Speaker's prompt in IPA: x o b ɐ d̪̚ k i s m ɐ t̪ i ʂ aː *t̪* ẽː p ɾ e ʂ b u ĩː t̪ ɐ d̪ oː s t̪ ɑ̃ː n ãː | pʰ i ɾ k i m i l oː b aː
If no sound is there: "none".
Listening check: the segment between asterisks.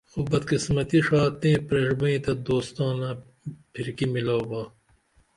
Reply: t̪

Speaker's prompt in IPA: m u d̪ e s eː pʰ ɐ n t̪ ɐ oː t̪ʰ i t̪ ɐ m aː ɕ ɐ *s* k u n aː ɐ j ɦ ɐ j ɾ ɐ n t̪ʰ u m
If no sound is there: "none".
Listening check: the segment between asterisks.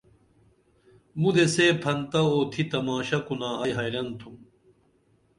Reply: none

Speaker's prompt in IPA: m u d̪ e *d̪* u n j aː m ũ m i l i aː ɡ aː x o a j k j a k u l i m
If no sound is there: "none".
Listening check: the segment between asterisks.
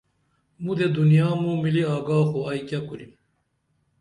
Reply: d̪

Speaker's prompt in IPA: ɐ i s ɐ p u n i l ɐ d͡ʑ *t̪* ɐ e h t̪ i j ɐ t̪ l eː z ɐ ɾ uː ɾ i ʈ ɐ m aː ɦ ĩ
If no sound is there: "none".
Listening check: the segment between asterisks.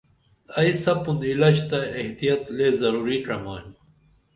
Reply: t̪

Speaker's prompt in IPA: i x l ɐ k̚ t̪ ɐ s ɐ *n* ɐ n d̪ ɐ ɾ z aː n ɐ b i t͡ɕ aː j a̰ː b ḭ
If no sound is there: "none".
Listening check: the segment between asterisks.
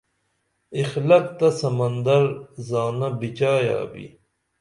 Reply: m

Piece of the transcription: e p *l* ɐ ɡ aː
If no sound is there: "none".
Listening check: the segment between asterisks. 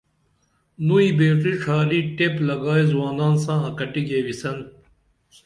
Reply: l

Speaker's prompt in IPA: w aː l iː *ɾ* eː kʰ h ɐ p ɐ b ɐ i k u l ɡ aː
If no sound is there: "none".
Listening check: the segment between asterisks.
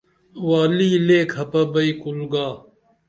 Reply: l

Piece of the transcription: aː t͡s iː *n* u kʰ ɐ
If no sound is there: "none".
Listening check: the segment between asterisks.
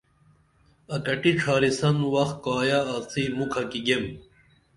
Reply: m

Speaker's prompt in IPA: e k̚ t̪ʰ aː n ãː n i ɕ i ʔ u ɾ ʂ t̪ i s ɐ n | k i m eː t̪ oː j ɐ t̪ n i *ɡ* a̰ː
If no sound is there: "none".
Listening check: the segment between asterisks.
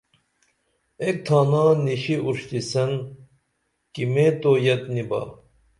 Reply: b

